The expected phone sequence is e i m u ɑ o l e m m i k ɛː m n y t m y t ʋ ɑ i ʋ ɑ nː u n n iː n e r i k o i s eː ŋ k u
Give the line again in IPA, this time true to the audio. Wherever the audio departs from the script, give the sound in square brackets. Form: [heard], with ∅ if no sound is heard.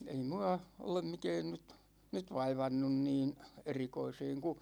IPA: e i m u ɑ o l e m m i k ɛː [n] n y t [n] y t ʋ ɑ i ʋ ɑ nː u n n iː n e r i k o i s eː ŋ k u

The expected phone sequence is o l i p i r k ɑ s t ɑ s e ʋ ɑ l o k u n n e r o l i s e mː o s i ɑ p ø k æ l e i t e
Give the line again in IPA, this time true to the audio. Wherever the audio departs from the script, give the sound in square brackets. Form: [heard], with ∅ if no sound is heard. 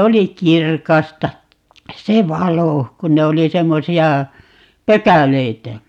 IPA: o l i [k] i r k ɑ s t ɑ s e ʋ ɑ l o k u n n e [∅] o l i s e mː o s i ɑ p ø k æ l e i t [æ]

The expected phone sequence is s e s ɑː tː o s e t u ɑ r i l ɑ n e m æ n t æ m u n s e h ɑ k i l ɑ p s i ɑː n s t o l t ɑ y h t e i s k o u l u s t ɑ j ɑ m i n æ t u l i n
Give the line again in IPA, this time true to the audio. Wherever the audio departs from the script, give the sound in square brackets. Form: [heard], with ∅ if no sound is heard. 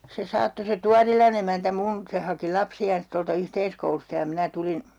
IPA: s e s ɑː tː o s e t u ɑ r i l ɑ n e m æ n t æ m u n s e h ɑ k i l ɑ p s i ɑː n s t o l t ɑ y h t e i s k o u l u s t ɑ j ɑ m i n æ t u l i n

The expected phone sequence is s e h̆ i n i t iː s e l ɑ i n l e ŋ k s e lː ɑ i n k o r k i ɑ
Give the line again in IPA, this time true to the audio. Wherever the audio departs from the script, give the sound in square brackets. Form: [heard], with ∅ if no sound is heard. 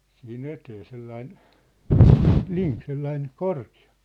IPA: s [i] h̆ i n [e] t [eː] s e [lː] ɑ i n l [i] ŋ k s e lː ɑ i n k o r k i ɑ

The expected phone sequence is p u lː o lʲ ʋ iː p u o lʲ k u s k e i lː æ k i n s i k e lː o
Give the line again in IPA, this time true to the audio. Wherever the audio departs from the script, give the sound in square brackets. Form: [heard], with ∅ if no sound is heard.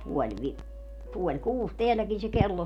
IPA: p u [∅] o lʲ ʋ [i] p u o lʲ k [uː] s [t] e [æ] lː æ k i n s [e] k e lː o

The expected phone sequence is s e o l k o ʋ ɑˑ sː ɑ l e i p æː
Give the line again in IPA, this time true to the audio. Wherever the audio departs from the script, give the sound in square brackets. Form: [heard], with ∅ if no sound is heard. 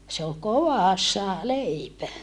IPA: s e o l k o ʋ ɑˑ sː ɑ l e i p [æ]

